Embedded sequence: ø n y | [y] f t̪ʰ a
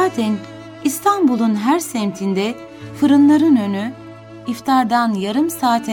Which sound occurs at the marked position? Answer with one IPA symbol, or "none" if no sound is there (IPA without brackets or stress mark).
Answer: i